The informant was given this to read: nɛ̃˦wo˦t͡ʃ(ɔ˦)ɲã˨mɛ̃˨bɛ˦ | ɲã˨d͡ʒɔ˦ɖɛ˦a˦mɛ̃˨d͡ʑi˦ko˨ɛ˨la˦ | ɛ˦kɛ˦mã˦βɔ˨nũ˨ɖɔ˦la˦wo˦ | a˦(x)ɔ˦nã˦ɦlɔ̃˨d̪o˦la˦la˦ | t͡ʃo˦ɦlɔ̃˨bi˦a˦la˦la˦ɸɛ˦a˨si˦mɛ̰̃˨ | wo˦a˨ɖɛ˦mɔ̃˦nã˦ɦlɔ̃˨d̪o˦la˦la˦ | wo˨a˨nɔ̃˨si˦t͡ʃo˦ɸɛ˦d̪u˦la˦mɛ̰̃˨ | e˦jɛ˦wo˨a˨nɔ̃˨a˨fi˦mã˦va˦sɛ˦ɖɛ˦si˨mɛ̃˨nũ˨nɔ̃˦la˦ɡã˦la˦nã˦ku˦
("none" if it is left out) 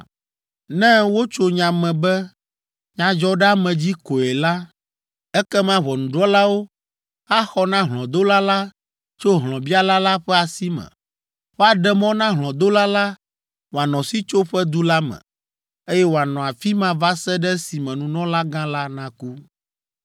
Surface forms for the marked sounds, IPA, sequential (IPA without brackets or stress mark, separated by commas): o˦, x